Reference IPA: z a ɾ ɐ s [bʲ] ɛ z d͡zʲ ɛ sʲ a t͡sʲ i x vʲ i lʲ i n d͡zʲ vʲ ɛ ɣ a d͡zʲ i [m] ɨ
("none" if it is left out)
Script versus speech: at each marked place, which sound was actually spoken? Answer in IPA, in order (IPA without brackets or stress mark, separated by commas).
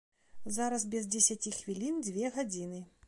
bʲ, n